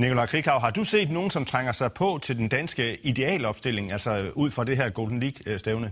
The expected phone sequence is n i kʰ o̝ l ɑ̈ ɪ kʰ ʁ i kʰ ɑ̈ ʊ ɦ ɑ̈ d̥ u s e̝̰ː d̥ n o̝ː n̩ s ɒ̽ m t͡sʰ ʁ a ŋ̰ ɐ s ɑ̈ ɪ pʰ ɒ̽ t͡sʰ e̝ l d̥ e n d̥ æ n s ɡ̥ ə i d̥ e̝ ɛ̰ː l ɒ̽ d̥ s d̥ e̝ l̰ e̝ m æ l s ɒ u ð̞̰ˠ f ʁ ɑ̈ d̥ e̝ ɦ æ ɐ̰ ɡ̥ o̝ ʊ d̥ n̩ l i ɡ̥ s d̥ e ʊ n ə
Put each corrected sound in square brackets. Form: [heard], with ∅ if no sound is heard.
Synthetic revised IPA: n i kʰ o̝ l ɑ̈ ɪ kʰ ʁ i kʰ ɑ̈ ʊ ɦ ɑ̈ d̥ u s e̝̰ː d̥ n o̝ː n̩ s ɒ̽ m t͡sʰ ʁ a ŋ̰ ɐ s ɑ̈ ɪ pʰ ɒ̽ t͡sʰ e̝ l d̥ e n d̥ æ n s ɡ̥ ə i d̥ e̝ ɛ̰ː l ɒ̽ [b̥] s d̥ e̝ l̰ e̝ [ŋ] æ l s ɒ u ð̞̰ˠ f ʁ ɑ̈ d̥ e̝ ɦ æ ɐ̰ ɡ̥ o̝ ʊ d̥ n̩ l i ɡ̥ s d̥ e ʊ n ə